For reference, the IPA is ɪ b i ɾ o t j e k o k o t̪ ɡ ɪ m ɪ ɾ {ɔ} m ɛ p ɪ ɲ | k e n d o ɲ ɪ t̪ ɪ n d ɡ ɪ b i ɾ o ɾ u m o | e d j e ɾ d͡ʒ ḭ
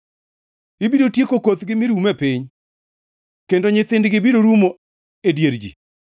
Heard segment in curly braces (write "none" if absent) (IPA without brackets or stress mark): u